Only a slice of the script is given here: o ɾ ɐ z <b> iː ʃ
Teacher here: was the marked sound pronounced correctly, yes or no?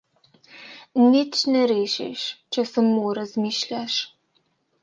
no